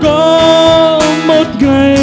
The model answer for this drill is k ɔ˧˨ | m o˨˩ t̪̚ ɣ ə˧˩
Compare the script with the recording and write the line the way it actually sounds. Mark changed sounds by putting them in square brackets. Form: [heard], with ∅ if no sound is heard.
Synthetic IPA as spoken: k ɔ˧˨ | m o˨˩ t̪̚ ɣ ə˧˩